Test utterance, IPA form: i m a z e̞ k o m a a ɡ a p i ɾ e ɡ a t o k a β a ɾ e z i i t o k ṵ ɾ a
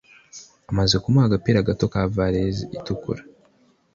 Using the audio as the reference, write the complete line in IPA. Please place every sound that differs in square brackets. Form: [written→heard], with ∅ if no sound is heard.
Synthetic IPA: [i→a] m a z e̞ k [o→u] m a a ɡ a p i ɾ [e→a] ɡ a t o k a [β→v] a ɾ e z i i t [o→u] k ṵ ɾ a